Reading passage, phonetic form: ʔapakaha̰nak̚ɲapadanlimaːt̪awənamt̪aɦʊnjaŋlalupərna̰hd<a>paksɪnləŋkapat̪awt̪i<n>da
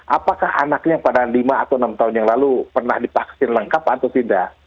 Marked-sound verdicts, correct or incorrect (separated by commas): incorrect, correct